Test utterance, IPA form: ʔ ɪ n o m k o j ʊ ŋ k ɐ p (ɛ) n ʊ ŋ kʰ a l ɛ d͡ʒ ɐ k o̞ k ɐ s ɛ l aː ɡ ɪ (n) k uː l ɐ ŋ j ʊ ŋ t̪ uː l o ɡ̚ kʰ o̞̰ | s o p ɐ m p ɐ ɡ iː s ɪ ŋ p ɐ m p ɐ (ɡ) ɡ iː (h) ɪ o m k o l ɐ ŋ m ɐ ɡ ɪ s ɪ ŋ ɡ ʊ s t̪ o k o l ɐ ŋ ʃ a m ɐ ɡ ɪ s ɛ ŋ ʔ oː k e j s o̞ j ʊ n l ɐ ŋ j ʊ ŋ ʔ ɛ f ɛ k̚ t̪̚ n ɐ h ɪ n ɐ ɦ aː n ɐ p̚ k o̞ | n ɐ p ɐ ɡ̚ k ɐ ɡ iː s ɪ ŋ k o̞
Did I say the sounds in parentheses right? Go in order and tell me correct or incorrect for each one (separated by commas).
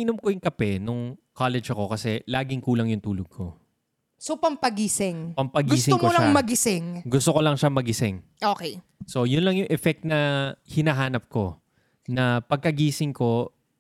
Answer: correct, incorrect, correct, incorrect